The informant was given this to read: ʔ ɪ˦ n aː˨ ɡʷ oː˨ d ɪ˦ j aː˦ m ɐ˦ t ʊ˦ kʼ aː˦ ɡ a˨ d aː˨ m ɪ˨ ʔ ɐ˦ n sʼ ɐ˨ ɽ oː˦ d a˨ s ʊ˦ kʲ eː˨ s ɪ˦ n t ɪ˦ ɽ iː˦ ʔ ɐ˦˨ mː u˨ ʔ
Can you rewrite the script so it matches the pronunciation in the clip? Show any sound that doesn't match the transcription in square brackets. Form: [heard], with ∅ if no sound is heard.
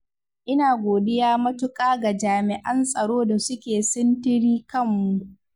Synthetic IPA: ʔ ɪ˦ n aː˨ ɡʷ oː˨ d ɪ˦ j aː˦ m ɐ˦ t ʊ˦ kʼ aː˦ ɡ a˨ [d͡ʒ] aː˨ m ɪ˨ ʔ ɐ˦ n sʼ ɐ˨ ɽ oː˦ d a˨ s ʊ˦ kʲ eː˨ s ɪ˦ n t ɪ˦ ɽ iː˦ [k] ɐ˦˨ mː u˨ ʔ